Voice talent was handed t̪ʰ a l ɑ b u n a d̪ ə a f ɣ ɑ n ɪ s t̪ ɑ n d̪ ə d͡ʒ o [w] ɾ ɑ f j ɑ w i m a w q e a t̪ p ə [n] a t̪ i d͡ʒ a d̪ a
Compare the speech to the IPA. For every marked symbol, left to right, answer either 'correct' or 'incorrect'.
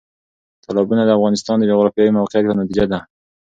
incorrect: ɣ, correct

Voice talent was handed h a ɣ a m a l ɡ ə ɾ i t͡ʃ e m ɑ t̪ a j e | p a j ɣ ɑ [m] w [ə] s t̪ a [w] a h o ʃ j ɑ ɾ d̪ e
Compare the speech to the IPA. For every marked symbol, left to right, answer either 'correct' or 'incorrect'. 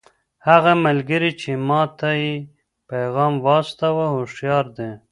correct, incorrect: ɑ, correct

